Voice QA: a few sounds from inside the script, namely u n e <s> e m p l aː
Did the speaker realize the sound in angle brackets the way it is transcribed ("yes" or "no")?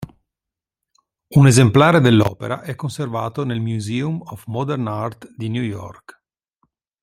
no